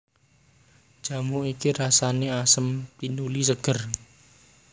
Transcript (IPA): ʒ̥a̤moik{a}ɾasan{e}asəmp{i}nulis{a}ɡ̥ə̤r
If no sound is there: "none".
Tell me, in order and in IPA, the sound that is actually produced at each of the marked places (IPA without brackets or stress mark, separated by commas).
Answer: i, e, i, ə